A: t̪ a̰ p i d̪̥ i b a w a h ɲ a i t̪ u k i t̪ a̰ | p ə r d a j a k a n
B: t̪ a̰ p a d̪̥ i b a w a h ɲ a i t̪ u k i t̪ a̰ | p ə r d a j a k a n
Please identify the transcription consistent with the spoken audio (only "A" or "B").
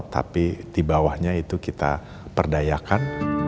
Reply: A